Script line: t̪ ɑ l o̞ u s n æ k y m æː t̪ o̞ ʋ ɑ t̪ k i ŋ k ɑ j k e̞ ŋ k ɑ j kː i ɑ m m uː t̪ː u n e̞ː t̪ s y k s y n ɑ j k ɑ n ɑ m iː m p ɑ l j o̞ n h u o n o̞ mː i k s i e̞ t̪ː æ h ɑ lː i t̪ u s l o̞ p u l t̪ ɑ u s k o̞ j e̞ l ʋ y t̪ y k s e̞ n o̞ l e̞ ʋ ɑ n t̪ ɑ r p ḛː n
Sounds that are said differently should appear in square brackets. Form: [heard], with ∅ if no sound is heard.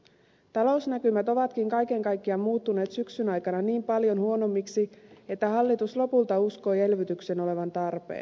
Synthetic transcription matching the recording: t̪ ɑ l o̞ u s n æ k y m [æ] t̪ o̞ ʋ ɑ t̪ k i ŋ k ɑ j k e̞ ŋ k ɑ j kː i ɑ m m uː t̪ː u n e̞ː t̪ s y k s y n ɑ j k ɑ n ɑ [n] iː m p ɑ l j o̞ n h u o n o̞ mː i k s i e̞ t̪ː æ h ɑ lː i t̪ u s l o̞ p u l t̪ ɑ u s k o̞ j e̞ l ʋ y t̪ y k s e̞ n o̞ l e̞ ʋ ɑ n t̪ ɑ r p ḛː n